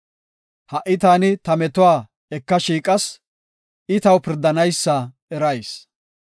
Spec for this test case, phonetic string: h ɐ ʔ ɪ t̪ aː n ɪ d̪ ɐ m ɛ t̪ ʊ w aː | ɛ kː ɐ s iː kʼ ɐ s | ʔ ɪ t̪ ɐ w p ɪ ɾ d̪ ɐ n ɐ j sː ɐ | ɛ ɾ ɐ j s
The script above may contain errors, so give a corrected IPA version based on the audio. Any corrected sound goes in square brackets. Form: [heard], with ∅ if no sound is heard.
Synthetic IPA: h ɐ ʔ ɪ t̪ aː n ɪ [t̪] ɐ m ɛ t̪ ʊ w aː | ɛ kː ɐ [ʃ] iː kʼ ɐ s | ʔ ɪ t̪ ɐ w p ɪ ɾ d̪ ɐ n ɐ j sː ɐ | ɛ ɾ ɐ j s

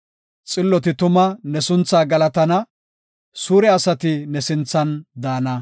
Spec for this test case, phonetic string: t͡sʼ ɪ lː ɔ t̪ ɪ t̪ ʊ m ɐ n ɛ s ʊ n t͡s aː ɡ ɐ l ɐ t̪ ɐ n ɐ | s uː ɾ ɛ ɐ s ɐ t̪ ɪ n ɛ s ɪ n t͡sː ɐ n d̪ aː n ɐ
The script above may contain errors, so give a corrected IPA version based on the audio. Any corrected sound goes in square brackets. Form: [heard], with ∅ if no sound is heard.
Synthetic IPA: t͡sʼ ɪ lː ɔ t̪ ɪ t̪ ʊ m ɐ n ɛ s ʊ n t͡s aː ɡ ɐ l ɐ t̪ ɐ n ɐ | s uː ɾ ɛ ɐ s ɐ t̪ ɪ n ɛ s ɪ n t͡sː ɐ n d̪ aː n ɐ

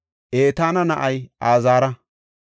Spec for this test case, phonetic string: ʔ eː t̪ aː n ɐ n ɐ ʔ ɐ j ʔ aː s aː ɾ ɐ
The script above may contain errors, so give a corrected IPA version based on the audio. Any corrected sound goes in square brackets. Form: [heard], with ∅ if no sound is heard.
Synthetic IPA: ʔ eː t̪ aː n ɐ n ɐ ʔ ɐ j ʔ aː [z] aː ɾ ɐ

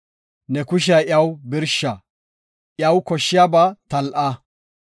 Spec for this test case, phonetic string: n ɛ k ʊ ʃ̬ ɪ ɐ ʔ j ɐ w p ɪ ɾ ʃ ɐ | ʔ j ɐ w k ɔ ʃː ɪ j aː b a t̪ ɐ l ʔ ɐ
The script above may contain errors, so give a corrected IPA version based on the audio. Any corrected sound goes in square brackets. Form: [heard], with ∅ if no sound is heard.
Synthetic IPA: n ɛ k ʊ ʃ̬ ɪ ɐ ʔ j ɐ w [b] ɪ ɾ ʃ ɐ | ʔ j ɐ w k ɔ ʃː ɪ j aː b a t̪ ɐ l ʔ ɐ

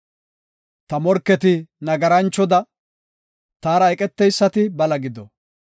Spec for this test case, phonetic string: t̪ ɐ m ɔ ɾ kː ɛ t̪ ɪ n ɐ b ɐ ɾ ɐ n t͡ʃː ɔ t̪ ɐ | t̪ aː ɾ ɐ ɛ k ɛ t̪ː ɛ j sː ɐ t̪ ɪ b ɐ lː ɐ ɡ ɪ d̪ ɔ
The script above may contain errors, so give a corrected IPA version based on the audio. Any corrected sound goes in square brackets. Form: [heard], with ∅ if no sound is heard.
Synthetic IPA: t̪ ɐ m ɔ ɾ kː ɛ t̪ ɪ n ɐ [ɡ] ɐ ɾ ɐ n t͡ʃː ɔ [d̪] ɐ | t̪ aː ɾ ɐ ɛ [kʼ] ɛ t̪ː ɛ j sː ɐ t̪ ɪ b ɐ [l] ɐ ɡ ɪ d̪ ɔ

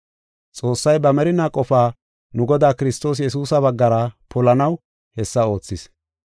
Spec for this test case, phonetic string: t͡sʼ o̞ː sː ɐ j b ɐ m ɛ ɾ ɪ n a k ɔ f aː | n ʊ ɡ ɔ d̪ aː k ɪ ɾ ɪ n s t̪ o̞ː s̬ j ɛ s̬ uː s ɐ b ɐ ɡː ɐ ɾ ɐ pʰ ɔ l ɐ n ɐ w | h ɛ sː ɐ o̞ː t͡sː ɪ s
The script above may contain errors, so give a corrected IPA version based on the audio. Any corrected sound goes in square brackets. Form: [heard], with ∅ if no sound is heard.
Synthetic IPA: t͡sʼ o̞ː sː ɐ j b ɐ m ɛ ɾ ɪ n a [kʼ] ɔ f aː | n ʊ ɡ ɔ d̪ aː k ɪ ɾ ɪ [∅] s t̪ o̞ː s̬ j ɛ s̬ uː s ɐ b ɐ ɡː ɐ ɾ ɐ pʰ ɔ l ɐ n ɐ w | h ɛ sː ɐ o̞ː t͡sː ɪ s

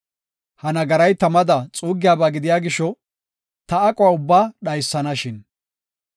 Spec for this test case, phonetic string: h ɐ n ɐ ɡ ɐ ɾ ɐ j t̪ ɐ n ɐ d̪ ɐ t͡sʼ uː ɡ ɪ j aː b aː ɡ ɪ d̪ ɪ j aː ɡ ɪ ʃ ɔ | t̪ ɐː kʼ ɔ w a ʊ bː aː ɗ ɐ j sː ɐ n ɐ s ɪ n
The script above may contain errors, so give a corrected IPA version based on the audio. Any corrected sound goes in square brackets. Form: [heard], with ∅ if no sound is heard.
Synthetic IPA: h ɐ n ɐ ɡ ɐ ɾ ɐ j t̪ ɐ [m] ɐ d̪ ɐ t͡sʼ uː ɡ ɪ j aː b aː ɡ ɪ d̪ ɪ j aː ɡ ɪ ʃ ɔ | t̪ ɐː kʼ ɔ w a ʊ bː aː ɗ ɐ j sː ɐ n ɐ [ʃ] ɪ n

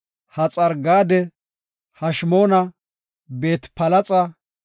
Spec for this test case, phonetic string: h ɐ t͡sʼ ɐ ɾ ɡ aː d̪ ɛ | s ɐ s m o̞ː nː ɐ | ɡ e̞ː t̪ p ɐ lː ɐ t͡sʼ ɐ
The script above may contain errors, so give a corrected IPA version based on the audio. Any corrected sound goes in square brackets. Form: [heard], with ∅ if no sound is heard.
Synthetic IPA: h ɐ t͡sʼ ɐ ɾ ɡ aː d̪ ɛ | [h] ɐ [ʃ] m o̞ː [n] ɐ | [b] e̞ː t̪ p ɐ [l] ɐ t͡sʼ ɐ

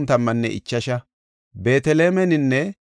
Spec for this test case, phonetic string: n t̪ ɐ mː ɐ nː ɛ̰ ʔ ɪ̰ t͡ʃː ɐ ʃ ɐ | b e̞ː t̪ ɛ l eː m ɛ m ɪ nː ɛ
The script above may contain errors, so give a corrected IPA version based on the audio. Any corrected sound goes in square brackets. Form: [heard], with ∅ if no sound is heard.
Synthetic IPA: n t̪ ɐ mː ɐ nː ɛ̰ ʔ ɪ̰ t͡ʃː ɐ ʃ ɐ | b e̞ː t̪ ɛ l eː m ɛ [n] ɪ nː ɛ

